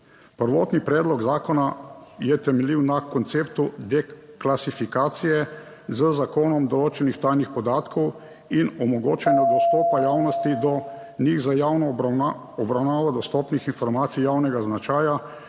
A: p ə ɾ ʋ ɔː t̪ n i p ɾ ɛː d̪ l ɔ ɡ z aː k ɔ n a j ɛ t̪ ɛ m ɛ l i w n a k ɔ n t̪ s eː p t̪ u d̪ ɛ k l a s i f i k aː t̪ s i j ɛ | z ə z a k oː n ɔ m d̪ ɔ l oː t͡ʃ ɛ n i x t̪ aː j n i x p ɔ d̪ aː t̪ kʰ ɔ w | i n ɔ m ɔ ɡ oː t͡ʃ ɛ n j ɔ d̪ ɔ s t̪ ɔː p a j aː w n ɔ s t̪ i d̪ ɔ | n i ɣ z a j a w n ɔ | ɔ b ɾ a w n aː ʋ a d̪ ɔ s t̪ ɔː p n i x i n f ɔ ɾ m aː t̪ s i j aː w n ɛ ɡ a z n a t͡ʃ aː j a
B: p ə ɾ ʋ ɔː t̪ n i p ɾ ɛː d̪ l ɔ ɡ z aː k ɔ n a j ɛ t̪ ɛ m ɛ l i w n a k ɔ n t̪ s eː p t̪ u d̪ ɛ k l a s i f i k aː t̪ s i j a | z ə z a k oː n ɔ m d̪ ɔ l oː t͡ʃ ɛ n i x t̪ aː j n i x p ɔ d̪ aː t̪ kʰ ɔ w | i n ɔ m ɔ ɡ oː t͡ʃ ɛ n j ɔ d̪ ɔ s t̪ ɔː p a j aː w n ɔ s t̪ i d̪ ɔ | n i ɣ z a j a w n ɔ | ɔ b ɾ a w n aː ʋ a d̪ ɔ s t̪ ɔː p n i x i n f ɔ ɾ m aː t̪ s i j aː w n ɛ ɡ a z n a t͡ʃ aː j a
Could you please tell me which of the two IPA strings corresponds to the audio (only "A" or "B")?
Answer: A